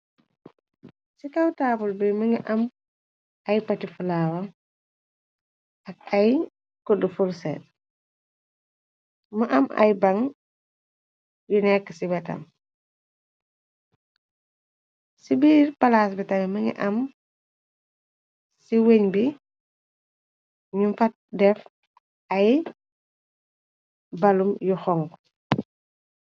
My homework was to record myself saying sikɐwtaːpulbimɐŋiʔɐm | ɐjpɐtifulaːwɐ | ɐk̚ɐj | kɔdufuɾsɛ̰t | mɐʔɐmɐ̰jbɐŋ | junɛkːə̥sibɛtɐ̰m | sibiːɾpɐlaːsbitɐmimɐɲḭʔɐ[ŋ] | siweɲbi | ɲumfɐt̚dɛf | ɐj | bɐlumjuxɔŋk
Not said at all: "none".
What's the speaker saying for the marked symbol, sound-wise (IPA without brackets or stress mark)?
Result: m